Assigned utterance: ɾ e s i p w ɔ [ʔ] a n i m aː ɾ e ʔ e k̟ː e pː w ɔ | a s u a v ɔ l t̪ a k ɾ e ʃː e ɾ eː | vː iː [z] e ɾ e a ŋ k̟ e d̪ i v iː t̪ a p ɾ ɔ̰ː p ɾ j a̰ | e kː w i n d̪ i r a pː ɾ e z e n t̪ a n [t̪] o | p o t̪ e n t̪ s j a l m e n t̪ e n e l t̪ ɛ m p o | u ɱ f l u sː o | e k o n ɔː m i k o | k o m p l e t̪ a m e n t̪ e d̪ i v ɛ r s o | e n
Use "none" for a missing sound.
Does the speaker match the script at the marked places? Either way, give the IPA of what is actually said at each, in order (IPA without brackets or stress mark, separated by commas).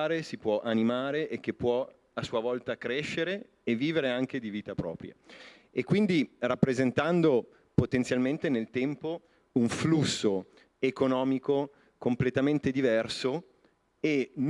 ʔ, v, d̪